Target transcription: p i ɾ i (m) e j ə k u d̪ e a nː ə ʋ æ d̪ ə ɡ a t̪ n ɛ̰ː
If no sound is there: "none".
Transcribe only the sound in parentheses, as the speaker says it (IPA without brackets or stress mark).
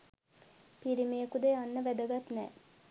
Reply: m